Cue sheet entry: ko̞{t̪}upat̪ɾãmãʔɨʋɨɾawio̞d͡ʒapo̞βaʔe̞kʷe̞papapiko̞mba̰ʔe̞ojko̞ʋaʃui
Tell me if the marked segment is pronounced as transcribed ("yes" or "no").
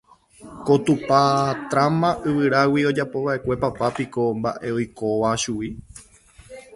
yes